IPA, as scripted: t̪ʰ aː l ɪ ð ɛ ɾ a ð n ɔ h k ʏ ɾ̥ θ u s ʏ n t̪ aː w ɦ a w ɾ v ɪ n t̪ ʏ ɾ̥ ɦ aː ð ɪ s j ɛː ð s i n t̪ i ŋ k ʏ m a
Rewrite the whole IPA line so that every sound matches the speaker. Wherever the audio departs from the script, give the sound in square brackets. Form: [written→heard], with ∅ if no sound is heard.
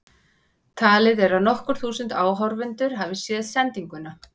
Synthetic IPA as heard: t̪ʰ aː l ɪ ð ɛ ɾ a ð n ɔ h k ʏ ɾ̥ θ [u→uː] s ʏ n t̪ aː w ɦ a w ɾ v ɪ n t̪ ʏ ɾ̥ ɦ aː [ð→v] ɪ s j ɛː ð s [i→ɛ] n t̪ i ŋ k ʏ [m→n] a